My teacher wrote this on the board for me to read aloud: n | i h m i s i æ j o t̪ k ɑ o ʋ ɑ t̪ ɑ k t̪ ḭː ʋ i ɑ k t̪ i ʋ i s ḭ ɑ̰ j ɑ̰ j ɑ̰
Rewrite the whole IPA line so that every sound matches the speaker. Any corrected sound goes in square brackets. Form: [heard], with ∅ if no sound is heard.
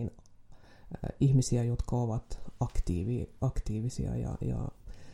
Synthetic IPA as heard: n | i h m i s i æ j o t̪ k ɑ o ʋ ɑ t̪ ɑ k t̪ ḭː ʋ i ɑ k t̪ [iː] ʋ i s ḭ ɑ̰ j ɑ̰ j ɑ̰